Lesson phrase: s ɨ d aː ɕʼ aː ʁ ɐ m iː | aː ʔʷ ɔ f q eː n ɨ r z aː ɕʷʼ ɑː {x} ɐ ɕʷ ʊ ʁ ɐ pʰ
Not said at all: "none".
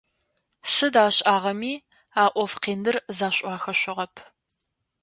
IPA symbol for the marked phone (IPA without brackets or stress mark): x